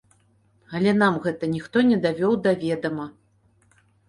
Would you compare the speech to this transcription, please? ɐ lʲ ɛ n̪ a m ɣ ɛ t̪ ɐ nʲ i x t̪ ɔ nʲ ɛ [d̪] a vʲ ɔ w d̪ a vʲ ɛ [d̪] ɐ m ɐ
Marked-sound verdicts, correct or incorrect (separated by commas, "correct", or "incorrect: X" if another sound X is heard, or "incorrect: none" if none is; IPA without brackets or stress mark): correct, correct